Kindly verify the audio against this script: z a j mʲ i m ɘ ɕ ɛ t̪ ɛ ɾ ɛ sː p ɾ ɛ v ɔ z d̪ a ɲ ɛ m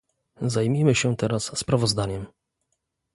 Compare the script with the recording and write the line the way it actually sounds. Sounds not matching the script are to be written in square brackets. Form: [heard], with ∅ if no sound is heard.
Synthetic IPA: z a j mʲ i m ɘ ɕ ɛ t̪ ɛ ɾ [a] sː p ɾ [a] v ɔ z d̪ a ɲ ɛ m